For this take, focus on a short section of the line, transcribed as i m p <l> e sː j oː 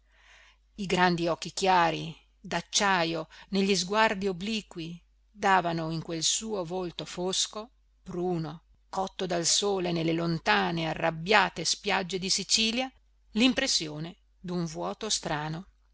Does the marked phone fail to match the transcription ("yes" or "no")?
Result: yes